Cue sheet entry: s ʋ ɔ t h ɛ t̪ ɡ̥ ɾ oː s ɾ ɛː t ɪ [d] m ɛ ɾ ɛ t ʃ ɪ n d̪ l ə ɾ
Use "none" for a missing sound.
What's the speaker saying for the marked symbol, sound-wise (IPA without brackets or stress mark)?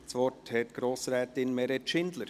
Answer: n